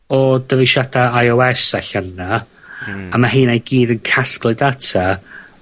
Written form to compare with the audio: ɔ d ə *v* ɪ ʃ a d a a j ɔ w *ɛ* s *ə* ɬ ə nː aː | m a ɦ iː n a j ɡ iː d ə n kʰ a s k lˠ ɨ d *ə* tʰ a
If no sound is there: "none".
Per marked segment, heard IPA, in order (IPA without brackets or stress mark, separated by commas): v, ɛ, a, a